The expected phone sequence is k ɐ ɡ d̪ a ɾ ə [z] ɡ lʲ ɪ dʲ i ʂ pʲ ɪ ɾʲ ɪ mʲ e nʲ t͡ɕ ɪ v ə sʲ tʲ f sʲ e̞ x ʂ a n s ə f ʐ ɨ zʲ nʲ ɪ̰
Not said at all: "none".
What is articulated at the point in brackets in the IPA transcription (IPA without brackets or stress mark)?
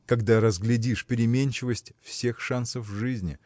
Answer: z